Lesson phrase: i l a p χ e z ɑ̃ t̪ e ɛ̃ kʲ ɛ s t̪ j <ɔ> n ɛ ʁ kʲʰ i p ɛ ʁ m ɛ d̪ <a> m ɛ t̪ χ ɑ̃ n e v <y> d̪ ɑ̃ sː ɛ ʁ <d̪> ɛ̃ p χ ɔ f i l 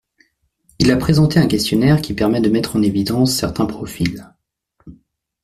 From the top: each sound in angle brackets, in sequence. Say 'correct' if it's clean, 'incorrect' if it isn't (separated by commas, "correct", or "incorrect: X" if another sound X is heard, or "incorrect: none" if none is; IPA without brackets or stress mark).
correct, incorrect: ə, incorrect: i, incorrect: t̪